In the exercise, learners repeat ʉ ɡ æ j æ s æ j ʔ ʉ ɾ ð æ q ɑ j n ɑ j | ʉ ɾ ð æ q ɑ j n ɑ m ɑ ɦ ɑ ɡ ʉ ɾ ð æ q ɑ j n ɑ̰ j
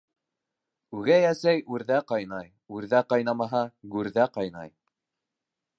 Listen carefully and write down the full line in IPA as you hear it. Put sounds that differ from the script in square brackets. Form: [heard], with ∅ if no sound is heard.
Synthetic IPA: ʉ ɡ æ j æ s æ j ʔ ʉ ɾ ð æ q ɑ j n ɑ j | ʉ ɾ ð æ q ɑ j n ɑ m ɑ ɦ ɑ ɡ ʉ ɾ ð æ q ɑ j n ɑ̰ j